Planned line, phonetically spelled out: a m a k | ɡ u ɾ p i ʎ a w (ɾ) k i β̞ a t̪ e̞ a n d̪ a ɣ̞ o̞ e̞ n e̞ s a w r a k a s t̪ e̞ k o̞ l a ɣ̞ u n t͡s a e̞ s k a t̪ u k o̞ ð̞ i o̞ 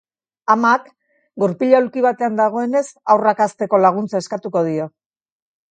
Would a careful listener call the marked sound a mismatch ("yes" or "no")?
yes